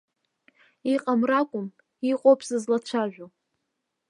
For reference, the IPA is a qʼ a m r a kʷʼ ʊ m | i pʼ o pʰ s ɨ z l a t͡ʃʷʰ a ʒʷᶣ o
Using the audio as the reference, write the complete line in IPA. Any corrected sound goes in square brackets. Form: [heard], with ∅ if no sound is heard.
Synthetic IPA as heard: [i] qʼ a m r a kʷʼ ʊ m | i [qʼ] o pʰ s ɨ z l a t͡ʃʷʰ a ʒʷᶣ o